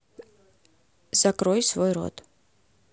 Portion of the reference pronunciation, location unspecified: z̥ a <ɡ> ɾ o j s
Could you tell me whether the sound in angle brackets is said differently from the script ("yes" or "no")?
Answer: yes